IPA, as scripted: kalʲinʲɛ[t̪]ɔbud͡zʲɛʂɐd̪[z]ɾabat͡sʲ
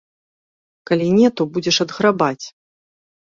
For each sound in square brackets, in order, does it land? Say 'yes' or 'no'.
yes, no

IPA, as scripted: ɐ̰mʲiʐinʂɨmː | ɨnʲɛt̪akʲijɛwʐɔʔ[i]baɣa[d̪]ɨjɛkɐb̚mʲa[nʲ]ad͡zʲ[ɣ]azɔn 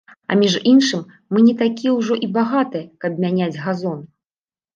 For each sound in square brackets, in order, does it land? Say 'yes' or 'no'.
yes, no, yes, yes

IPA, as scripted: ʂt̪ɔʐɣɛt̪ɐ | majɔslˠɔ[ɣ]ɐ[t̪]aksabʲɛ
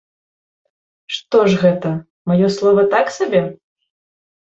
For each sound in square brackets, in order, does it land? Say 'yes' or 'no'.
no, yes

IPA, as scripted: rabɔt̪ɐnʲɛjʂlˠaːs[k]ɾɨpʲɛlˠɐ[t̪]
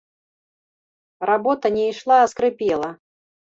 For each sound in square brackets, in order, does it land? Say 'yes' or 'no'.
yes, no

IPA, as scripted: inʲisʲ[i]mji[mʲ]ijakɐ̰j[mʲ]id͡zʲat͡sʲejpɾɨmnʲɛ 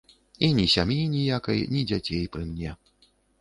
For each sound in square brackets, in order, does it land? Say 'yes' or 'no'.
no, no, no

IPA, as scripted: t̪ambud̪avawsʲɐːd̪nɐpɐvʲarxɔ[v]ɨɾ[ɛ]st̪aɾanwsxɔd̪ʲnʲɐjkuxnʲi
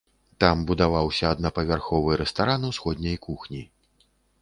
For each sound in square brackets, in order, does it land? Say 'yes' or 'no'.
yes, yes

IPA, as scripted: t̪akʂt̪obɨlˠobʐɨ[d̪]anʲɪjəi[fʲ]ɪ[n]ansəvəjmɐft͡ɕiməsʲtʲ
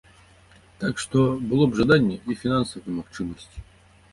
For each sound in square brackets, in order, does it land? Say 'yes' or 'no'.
yes, yes, yes

